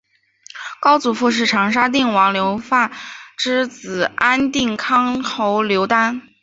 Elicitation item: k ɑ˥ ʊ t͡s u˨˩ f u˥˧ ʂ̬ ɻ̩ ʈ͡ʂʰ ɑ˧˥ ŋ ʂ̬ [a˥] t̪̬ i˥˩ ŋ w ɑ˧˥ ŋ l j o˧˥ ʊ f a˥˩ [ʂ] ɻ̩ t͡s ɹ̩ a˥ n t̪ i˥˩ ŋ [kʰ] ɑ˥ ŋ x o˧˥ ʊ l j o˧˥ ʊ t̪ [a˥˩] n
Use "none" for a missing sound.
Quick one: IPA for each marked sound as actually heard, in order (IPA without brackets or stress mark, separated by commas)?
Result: a˥, ʈ͡ʂ, kʰ, a˥